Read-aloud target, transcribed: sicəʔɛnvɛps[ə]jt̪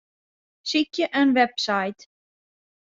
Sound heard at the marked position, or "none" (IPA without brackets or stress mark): a